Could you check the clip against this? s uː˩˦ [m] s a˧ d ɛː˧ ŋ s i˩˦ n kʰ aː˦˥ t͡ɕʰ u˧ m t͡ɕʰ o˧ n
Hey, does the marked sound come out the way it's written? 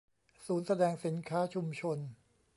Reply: no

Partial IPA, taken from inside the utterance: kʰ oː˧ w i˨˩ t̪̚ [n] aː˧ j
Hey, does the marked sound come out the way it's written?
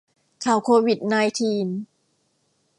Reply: yes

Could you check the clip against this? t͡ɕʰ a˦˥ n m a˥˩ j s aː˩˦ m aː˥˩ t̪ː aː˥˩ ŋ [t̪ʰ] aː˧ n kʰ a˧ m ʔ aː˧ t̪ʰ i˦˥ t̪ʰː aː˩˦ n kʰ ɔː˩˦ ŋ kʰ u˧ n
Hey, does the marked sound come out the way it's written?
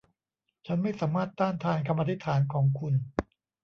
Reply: yes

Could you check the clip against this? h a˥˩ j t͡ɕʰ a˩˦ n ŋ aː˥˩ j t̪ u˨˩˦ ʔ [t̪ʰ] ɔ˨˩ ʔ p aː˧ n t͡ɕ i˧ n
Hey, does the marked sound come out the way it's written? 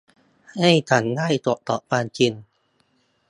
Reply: no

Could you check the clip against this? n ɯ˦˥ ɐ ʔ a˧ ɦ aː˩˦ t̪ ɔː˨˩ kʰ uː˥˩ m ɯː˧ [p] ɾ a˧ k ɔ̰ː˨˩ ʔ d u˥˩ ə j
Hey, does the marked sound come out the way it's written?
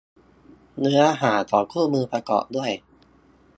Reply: yes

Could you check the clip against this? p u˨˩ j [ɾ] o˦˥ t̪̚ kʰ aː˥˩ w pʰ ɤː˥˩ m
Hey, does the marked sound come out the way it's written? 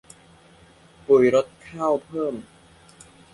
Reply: yes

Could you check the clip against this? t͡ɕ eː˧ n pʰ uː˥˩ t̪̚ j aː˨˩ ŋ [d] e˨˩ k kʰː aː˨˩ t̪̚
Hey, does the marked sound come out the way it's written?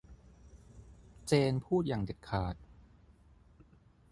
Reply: yes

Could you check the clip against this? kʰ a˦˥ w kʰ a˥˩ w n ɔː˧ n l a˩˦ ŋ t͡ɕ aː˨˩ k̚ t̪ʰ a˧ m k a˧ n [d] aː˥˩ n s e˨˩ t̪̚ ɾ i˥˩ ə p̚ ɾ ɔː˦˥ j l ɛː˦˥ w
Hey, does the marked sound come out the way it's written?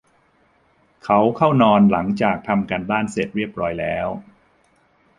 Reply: yes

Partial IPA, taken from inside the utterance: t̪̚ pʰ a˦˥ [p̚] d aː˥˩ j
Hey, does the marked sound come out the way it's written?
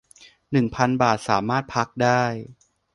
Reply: no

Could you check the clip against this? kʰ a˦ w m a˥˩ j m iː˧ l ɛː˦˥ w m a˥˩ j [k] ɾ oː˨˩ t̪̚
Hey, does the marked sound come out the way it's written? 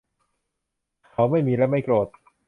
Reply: yes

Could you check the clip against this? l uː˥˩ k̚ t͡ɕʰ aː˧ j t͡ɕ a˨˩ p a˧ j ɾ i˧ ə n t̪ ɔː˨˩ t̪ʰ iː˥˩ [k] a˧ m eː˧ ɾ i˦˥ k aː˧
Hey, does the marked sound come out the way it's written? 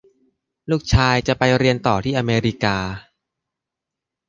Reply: no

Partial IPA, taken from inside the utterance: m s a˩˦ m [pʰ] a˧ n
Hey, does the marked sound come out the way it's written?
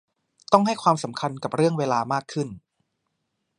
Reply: no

